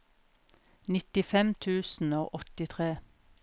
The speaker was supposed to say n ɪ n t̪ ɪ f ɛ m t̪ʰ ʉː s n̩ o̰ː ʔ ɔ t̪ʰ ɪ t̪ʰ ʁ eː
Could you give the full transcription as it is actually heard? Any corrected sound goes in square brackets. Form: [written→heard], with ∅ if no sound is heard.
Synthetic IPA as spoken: n ɪ [n→∅] t̪ ɪ f ɛ m t̪ʰ ʉː s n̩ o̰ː ʔ ɔ [t̪ʰ→t̪] ɪ t̪ʰ ʁ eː